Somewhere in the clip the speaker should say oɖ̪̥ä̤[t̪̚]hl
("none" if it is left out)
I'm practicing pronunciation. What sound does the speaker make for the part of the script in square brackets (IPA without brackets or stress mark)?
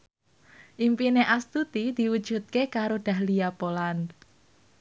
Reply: none